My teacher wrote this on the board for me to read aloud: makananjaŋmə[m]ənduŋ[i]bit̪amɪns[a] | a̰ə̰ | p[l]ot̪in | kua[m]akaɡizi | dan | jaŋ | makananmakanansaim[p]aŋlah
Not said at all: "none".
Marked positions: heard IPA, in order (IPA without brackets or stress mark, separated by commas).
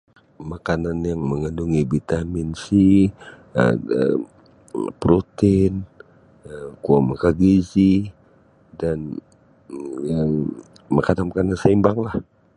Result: ŋ, i, i, ɾ, m, b